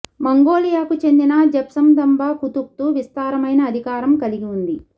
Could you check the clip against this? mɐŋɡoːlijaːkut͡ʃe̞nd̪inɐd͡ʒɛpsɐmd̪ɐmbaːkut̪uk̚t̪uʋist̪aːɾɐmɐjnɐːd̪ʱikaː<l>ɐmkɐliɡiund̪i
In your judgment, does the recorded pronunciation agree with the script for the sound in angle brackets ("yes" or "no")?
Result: no